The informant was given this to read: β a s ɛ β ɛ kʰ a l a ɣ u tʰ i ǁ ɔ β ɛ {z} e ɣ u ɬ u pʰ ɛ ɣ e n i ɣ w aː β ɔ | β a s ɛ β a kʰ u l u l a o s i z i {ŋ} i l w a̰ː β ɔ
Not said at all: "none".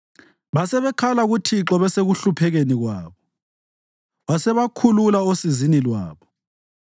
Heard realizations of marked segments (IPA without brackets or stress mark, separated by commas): s, n